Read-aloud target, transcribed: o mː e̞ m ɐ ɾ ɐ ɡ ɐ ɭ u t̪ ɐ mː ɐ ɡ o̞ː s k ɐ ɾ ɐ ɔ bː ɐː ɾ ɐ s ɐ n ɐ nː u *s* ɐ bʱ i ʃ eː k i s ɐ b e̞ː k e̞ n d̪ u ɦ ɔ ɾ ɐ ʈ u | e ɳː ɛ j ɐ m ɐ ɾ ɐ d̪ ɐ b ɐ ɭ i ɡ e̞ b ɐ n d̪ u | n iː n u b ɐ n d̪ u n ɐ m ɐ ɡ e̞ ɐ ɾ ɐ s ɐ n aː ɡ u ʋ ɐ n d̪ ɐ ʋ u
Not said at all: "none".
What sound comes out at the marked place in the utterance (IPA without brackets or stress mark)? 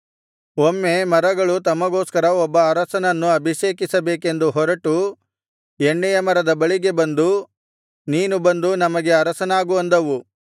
none